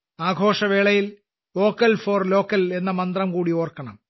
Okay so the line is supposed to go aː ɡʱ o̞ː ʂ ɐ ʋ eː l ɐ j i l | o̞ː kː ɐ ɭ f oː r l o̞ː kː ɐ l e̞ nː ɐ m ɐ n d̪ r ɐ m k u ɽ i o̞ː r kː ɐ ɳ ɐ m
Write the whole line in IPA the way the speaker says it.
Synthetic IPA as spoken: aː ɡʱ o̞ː ʂ ɐ ʋ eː ɭ ɐ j i l | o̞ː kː ɐ l f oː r l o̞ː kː ɐ l e̞ nː ɐ m ɐ n d̪ r ɐ m k uː ɽ i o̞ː r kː ɐ ɳ ɐ m